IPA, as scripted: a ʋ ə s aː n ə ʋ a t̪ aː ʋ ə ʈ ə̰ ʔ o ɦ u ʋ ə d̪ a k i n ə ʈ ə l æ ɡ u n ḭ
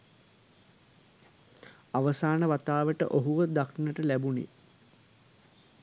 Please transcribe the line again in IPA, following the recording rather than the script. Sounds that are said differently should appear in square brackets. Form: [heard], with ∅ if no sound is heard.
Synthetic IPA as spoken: a ʋ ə s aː n ə ʋ a t̪ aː ʋ ə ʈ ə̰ ʔ o ɦ u ʋ ə d̪ a k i n ə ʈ ə l æ [b] u n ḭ

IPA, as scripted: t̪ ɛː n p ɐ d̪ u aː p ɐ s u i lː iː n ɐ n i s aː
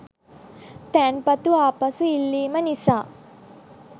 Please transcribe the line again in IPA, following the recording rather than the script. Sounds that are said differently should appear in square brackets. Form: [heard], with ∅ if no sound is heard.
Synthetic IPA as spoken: t̪ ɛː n p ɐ [t̪] u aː p ɐ s u i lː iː [m] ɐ n i s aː

